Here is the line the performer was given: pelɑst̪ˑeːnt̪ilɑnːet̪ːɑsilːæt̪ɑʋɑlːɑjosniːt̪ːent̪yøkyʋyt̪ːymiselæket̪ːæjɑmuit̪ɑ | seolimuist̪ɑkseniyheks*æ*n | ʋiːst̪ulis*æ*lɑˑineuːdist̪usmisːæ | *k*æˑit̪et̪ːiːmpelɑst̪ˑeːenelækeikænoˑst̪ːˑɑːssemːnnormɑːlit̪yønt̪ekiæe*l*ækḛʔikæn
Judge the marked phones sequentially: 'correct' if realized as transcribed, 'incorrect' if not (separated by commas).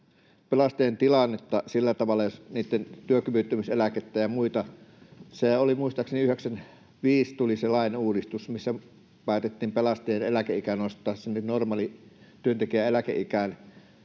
correct, incorrect, incorrect, correct